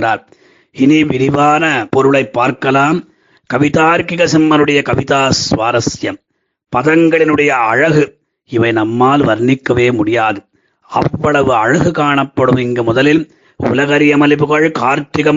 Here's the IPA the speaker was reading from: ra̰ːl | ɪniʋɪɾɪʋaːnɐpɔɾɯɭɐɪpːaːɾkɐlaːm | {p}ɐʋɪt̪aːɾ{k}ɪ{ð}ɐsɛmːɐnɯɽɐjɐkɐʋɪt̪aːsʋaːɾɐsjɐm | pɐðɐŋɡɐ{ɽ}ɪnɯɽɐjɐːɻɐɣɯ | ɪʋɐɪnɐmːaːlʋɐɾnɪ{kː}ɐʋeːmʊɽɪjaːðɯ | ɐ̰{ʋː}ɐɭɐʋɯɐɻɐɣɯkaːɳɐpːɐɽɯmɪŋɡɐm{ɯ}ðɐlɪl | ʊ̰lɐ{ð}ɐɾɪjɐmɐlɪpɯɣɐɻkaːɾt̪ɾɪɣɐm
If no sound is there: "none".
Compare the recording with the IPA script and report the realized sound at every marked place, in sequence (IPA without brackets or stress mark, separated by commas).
k, k, ɣ, ɭ, kː, ʋː, ʊ, ɣ